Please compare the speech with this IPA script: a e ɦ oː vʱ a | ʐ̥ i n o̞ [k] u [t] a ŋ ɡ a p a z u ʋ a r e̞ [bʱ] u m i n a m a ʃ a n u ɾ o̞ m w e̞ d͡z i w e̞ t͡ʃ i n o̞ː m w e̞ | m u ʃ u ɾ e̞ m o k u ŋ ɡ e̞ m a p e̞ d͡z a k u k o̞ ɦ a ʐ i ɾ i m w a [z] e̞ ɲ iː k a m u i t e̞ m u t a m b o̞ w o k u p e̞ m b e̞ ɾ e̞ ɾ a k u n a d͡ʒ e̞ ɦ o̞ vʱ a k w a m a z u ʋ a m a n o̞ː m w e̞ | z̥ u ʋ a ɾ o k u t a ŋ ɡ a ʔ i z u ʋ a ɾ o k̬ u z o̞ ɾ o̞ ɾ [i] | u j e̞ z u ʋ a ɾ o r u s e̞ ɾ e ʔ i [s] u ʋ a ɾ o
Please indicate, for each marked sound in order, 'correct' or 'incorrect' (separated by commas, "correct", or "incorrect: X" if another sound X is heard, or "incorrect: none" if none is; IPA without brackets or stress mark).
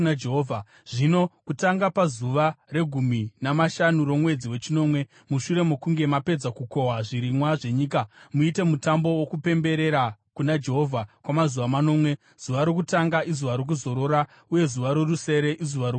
correct, correct, incorrect: ɡʱ, incorrect: ʐ, incorrect: a, incorrect: z